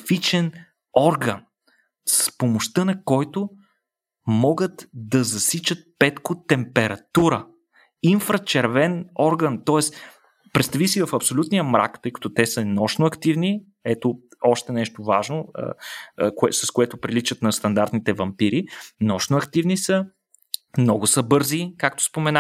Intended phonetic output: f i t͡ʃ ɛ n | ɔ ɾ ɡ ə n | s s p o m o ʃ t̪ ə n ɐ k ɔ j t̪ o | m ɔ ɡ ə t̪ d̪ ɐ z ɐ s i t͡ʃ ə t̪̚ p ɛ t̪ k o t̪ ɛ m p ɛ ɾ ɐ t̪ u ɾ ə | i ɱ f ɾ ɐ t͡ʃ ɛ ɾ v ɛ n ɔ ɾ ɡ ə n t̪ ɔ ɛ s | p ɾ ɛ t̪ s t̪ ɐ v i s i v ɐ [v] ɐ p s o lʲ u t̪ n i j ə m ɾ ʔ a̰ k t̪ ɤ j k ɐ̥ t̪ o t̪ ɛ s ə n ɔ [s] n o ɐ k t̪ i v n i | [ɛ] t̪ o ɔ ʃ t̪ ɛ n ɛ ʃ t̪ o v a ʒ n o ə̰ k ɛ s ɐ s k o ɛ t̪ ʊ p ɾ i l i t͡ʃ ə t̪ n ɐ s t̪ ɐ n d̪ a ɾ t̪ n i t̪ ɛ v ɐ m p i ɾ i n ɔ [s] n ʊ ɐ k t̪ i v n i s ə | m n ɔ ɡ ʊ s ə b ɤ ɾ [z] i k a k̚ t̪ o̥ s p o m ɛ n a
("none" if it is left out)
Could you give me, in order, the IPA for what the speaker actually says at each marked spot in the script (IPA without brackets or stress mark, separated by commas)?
f, ʃ, ɛ, ʃ, z